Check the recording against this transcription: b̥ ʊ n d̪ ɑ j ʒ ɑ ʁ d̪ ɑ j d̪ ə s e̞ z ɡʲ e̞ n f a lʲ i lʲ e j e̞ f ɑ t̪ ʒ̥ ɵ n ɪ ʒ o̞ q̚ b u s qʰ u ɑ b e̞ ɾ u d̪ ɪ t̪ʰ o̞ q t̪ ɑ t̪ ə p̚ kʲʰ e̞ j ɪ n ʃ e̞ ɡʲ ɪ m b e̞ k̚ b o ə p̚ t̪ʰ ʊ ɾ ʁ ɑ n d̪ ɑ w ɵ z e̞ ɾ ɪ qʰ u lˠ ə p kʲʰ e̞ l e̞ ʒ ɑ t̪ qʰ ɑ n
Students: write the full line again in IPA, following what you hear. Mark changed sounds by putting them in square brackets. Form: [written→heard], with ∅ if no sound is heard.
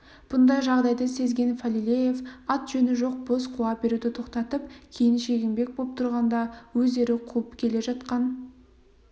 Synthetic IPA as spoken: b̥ ʊ n d̪ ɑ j ʒ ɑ ʁ d̪ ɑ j d̪ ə s e̞ z ɡʲ e̞ n f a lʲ i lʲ e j e̞ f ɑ t̪ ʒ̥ ɵ n ɪ ʒ o̞ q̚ b [u→o] s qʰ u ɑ b e̞ ɾ u d̪ ɪ t̪ʰ o̞ q t̪ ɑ t̪ ə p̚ kʲʰ e̞ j ɪ n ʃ e̞ ɡʲ ɪ m b e̞ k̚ b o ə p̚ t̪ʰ ʊ ɾ ʁ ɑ n d̪ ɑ w ɵ z e̞ ɾ ɪ qʰ u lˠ ə p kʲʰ e̞ l e̞ ʒ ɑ t̪ [qʰ→q] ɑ n